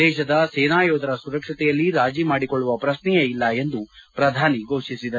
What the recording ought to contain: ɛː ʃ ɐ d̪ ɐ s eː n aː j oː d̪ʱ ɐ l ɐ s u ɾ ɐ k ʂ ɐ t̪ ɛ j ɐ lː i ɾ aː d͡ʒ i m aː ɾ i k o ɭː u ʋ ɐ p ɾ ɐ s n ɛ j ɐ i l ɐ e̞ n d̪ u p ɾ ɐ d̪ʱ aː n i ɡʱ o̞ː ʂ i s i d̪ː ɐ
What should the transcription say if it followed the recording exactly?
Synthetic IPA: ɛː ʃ ɐ d̪ ɐ s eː n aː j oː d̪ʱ ɐ ɾ ɐ s u ɾ ɐ k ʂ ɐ t̪ ɛ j ɐ lː i ɾ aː d͡ʒ i m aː ɽ i k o ɭː u ʋ ɐ p ɾ ɐ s n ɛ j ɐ i lː ɐ e̞ n d̪ u p ɾ ɐ d̪ʱ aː n i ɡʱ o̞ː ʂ i s i d̪ ɐ